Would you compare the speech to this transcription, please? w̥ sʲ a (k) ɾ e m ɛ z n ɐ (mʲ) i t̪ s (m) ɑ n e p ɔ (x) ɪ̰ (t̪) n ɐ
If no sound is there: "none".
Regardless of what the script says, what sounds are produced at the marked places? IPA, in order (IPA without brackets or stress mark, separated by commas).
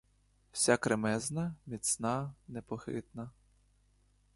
k, mʲ, n, x, t̪